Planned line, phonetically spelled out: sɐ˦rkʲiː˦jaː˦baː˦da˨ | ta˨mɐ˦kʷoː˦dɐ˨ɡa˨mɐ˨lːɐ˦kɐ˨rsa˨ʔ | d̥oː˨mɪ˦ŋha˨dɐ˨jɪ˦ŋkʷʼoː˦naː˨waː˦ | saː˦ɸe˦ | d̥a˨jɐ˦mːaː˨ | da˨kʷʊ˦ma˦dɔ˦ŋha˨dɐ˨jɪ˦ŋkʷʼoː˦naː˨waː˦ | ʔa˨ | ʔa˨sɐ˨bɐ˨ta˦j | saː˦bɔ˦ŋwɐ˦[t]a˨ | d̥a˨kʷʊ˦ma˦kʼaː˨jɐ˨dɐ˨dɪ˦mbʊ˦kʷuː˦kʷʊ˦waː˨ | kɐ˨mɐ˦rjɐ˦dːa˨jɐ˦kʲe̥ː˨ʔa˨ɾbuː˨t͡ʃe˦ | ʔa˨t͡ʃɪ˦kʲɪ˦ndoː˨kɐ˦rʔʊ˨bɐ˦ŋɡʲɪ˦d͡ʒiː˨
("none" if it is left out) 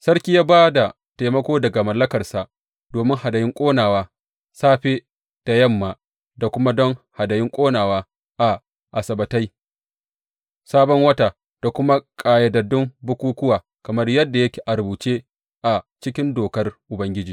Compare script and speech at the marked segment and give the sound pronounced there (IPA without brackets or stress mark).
t